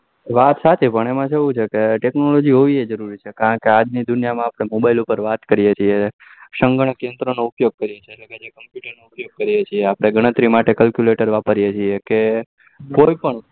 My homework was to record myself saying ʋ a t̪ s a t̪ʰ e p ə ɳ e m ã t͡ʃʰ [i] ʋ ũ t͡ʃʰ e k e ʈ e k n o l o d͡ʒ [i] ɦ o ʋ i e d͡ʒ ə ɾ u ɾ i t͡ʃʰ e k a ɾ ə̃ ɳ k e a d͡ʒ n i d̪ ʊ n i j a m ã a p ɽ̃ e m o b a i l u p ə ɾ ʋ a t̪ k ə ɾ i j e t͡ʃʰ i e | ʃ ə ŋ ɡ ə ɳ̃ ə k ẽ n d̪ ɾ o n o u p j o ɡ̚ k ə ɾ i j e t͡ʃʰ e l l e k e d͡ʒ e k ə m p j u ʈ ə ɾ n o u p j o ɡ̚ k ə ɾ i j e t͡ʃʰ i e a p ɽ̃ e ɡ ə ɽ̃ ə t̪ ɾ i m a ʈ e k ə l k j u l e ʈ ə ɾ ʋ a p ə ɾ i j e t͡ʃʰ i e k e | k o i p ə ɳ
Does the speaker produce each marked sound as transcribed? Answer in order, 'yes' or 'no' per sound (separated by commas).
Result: no, yes